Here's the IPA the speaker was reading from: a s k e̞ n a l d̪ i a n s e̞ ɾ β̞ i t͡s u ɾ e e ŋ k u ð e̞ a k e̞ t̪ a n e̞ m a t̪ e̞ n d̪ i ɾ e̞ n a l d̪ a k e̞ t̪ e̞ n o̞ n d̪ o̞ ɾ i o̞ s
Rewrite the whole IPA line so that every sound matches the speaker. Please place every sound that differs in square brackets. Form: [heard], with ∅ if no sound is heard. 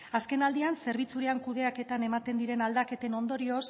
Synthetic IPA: a s k e̞ n a l d̪ i a n s e̞ ɾ β̞ i t͡s u ɾ e [a] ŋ k u ð e̞ a k e̞ t̪ a n e̞ m a t̪ e̞ n d̪ i ɾ e̞ n a l d̪ a k e̞ t̪ e̞ n o̞ n d̪ o̞ ɾ i o̞ s